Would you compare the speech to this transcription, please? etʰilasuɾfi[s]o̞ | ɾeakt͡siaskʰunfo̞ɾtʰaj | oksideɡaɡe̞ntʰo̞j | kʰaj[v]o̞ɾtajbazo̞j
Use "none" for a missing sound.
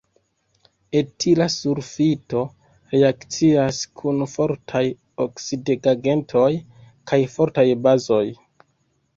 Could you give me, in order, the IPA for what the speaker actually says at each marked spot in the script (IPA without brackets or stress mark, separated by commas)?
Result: t, f